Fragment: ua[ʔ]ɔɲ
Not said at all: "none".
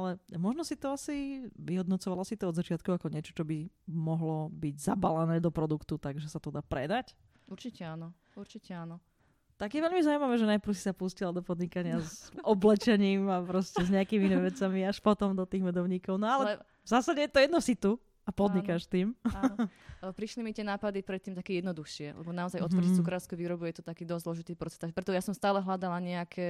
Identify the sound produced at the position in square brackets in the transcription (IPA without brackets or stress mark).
k